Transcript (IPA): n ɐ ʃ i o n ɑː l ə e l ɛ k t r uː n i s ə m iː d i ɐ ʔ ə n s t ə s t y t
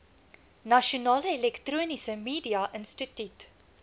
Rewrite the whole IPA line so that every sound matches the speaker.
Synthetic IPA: n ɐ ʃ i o n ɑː l ə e l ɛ k t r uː n i s ə m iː d i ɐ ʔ ə n s t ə t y t